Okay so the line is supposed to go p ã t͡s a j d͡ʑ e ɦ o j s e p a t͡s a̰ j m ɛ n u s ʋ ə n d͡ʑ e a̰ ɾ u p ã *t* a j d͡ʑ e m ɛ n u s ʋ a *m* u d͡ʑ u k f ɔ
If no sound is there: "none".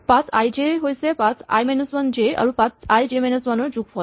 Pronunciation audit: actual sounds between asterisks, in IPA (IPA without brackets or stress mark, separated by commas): t͡s, n